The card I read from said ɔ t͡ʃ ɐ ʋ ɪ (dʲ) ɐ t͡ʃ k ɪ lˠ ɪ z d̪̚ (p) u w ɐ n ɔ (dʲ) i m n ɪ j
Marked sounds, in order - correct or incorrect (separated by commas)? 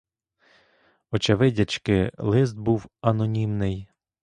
correct, incorrect, incorrect